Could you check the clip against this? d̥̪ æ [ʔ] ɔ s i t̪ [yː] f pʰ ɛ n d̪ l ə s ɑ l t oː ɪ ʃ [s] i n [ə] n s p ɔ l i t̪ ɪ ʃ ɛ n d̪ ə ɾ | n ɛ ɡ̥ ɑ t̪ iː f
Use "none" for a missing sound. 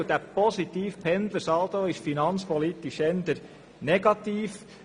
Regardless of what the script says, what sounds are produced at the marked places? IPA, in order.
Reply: p, iː, f, ɑ

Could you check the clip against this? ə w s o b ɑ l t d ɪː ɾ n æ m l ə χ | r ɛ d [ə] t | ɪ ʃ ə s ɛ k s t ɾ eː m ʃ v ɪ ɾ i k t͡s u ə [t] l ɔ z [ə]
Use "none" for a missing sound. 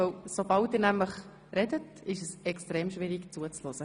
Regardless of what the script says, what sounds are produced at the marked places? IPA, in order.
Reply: ə, t͡s, ə

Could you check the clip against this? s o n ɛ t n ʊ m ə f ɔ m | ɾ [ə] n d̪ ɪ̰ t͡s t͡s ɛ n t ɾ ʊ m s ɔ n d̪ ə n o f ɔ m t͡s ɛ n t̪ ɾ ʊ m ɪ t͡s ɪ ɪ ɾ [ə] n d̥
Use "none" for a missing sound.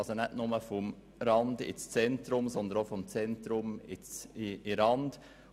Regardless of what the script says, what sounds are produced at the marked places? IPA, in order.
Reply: ɑ, ɑ

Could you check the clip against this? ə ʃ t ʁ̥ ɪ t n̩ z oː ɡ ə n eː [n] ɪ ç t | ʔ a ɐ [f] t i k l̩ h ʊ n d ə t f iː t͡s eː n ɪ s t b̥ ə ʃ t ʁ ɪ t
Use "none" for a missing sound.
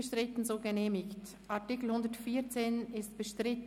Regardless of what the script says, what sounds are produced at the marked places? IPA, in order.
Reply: m, none

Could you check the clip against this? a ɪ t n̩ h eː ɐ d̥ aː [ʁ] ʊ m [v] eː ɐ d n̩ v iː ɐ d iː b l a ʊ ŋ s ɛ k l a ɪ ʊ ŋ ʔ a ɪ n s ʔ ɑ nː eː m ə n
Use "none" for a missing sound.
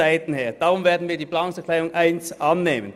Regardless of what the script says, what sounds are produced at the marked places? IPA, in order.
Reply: ʁ, v

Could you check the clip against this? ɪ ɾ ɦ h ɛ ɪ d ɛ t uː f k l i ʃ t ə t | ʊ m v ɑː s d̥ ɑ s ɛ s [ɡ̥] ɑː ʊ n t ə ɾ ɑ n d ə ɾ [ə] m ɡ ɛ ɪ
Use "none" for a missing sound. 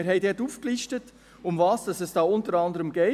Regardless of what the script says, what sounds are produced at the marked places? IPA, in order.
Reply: d̥, ə

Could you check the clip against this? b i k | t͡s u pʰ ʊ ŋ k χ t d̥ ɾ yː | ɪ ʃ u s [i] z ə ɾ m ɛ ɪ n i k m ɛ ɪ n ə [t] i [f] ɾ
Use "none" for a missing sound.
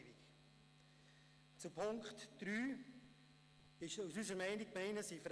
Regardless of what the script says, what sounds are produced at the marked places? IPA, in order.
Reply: y, s, f

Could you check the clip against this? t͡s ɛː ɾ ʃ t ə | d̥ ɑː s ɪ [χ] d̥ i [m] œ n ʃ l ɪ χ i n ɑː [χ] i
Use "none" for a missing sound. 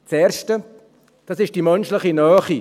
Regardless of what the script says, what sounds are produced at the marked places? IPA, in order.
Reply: ʃ, m, χ

